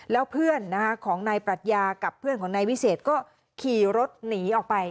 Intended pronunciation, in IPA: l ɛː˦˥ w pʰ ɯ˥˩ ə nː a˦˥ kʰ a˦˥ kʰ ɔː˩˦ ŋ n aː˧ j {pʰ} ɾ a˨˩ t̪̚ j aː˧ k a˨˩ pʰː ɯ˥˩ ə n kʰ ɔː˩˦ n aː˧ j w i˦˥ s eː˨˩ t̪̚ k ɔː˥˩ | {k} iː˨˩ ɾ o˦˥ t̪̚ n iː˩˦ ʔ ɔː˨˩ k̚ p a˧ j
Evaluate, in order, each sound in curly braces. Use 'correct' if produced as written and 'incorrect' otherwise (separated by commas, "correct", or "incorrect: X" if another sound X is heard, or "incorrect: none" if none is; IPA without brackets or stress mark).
incorrect: p, incorrect: kʰ